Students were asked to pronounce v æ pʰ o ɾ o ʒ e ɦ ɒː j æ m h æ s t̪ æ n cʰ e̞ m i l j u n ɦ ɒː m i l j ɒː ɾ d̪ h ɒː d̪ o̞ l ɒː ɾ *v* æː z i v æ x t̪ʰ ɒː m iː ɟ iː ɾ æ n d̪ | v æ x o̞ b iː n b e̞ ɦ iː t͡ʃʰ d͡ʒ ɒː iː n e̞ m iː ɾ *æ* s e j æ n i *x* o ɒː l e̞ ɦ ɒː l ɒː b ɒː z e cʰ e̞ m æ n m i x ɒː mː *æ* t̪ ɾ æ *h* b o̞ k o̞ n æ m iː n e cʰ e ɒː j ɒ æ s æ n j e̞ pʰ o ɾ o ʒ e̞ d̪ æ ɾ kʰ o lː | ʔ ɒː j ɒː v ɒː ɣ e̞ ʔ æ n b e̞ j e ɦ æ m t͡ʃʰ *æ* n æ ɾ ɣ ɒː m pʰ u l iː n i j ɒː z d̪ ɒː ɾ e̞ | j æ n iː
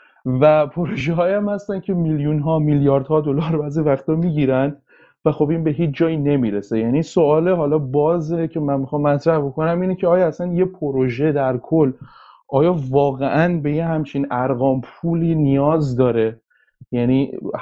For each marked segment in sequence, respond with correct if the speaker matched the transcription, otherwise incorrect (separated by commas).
incorrect, incorrect, incorrect, correct, correct, incorrect